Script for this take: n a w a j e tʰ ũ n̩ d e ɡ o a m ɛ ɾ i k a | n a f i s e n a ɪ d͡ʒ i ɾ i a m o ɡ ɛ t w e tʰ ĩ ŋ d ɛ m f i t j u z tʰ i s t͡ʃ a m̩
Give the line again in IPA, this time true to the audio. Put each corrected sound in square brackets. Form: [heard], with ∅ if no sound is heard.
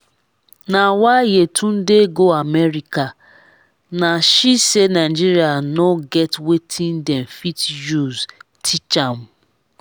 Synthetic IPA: n a w a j e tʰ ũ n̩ d e ɡ o a m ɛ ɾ i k a | n a [ʃ] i s e n a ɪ d͡ʒ i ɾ i a [n] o ɡ ɛ t w e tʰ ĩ [n] d ɛ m f i t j u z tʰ i [∅] t͡ʃ a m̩